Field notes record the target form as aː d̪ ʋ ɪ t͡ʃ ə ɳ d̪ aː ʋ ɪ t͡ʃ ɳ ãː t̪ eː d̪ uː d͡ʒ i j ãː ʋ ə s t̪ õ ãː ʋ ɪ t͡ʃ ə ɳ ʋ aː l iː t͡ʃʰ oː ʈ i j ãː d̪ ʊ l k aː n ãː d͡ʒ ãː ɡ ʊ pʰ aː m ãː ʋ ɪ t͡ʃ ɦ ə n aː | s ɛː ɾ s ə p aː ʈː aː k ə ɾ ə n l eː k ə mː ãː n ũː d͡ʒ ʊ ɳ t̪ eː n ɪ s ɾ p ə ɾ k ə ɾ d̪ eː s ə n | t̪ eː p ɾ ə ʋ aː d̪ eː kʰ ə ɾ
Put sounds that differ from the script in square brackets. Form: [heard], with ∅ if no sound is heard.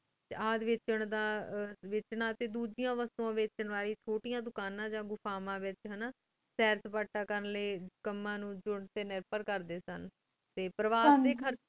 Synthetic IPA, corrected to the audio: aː d̪ ʋ ɪ t͡ʃ ə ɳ d̪ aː ʋ ɪ t͡ʃ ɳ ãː t̪ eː d̪ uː d͡ʒ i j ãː ʋ ə s t̪ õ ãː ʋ ɪ t͡ʃ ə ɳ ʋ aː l iː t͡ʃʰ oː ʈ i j ãː d̪ ʊ [∅] k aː n ãː d͡ʒ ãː ɡ ʊ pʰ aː m ãː ʋ ɪ t͡ʃ ɦ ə n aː | s ɛː ɾ s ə p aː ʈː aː k ə ɾ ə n l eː k ə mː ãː n ũː d͡ʒ ʊ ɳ t̪ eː n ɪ [∅] ɾ p ə ɾ k ə ɾ d̪ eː s ə n | t̪ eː p ɾ ə ʋ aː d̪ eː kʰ ə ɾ